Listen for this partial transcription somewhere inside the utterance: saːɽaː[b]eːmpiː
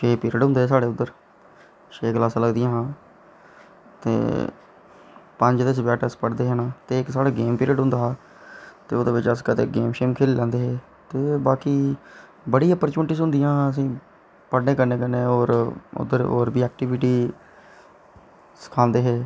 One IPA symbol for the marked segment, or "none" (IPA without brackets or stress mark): ɡ